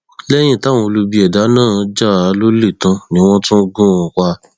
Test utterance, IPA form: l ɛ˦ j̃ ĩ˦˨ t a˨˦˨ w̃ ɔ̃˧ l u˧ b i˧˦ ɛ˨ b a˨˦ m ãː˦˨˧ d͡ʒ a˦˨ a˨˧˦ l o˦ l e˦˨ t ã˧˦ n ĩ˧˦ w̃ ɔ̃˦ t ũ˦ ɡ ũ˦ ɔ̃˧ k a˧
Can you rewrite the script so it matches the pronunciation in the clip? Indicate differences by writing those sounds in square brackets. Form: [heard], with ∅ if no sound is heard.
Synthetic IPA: l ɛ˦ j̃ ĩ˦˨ t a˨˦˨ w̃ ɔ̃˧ l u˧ b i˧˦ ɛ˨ [d] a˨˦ [n] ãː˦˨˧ d͡ʒ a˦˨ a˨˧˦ l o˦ l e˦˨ t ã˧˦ n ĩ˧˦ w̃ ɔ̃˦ t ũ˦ ɡ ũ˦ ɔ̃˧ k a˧